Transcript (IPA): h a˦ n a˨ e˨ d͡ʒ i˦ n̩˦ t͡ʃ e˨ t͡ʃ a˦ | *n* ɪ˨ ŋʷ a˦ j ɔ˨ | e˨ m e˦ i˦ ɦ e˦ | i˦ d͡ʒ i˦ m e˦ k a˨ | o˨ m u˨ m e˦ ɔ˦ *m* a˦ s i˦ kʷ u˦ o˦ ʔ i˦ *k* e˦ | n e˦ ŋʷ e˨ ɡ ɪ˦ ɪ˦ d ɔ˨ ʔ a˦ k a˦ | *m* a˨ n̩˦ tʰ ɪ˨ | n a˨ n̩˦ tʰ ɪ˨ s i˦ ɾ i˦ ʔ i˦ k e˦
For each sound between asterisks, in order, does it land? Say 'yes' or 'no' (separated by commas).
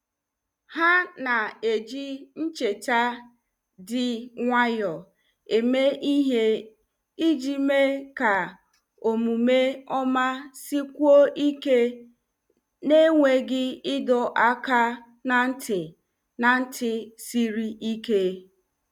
no, yes, yes, no